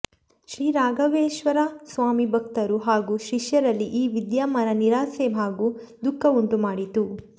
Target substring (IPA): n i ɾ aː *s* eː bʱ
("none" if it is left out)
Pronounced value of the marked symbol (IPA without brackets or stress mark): s